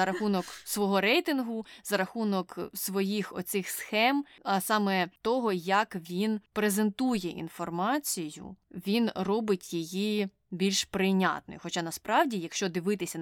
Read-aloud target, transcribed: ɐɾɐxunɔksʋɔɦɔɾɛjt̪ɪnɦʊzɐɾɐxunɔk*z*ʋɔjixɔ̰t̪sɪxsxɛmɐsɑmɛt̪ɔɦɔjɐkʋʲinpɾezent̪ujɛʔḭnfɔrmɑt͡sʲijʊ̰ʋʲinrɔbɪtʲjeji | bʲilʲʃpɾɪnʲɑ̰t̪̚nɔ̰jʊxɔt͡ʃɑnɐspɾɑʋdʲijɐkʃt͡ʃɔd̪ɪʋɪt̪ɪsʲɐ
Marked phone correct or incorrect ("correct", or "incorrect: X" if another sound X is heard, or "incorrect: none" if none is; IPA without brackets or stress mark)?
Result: incorrect: s